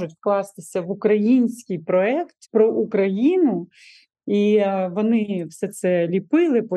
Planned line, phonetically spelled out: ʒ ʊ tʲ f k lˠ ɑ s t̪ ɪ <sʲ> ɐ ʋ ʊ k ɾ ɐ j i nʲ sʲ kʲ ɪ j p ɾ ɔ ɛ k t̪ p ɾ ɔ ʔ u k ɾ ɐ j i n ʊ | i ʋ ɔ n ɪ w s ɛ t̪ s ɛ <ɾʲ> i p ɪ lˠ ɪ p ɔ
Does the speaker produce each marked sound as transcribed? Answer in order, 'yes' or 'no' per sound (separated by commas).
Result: yes, no